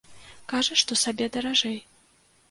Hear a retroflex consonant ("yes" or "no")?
yes